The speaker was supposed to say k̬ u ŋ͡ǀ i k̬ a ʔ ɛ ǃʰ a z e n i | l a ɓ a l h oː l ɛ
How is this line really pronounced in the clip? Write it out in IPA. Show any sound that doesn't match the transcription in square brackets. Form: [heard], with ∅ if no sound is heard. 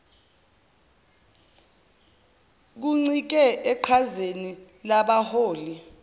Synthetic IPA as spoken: k̬ u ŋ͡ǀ i k̬ [ɛ] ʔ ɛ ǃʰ a z e n i | l a ɓ a [∅] h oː l [i]